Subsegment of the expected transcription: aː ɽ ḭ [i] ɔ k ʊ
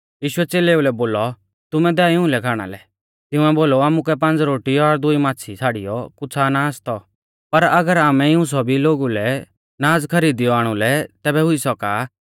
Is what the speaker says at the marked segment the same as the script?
no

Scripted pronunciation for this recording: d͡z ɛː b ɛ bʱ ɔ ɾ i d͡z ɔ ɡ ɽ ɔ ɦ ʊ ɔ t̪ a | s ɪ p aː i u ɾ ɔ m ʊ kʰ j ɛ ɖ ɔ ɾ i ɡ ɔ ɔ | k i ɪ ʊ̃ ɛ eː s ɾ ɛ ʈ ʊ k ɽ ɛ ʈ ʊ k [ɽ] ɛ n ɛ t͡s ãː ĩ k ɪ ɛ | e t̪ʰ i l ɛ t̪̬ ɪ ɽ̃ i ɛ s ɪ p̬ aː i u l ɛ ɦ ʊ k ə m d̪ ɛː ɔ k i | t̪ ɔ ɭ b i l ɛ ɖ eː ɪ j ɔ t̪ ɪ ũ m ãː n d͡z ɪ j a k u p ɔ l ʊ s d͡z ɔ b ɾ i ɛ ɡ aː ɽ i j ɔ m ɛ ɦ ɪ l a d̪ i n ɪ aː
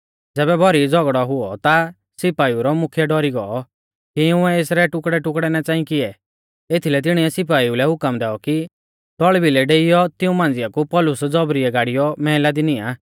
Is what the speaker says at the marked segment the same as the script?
yes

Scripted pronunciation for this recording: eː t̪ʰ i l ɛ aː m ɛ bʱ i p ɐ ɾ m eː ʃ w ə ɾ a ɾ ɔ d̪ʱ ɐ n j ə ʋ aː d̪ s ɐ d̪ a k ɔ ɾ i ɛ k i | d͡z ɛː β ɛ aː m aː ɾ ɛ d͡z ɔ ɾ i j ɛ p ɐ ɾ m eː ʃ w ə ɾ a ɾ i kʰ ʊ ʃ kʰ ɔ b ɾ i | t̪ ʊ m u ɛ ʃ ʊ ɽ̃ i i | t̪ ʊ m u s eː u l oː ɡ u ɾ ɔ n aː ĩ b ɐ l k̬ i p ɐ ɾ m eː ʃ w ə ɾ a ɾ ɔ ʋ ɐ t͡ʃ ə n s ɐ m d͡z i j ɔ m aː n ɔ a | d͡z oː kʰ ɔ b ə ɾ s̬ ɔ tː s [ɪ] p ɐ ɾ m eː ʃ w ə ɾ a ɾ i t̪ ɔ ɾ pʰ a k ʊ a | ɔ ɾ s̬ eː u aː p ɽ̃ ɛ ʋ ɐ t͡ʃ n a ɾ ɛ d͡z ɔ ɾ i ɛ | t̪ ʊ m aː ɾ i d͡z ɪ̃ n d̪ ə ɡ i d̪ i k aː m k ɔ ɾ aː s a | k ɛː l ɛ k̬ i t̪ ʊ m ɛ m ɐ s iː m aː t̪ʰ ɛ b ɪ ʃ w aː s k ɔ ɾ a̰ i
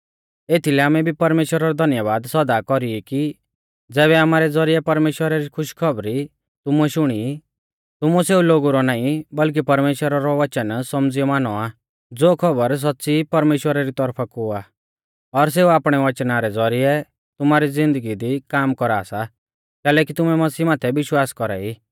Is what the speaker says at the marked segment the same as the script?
no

